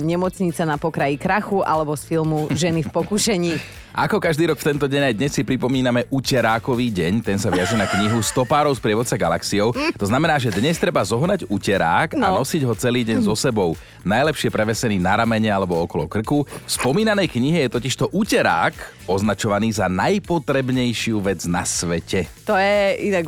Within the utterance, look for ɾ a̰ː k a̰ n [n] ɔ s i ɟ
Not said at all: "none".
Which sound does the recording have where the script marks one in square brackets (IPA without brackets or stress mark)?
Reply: n